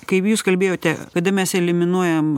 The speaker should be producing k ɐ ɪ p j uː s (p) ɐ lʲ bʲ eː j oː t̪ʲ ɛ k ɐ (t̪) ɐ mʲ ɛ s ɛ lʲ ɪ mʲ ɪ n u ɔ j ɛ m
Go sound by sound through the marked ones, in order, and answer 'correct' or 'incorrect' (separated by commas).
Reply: incorrect, incorrect